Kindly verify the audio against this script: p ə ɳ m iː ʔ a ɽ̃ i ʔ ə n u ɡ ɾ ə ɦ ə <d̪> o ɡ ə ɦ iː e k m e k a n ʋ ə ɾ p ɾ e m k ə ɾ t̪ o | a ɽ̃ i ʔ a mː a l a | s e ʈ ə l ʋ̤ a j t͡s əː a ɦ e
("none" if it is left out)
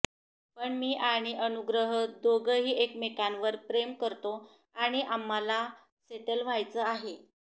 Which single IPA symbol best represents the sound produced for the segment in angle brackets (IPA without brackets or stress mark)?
d̪